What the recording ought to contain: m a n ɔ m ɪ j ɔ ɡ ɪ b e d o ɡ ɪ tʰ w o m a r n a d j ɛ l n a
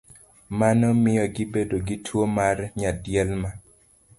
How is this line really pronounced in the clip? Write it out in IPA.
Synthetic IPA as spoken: m a n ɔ m ɪ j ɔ ɡ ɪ b e d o ɡ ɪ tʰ w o m a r ɲ a d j ɛ l m a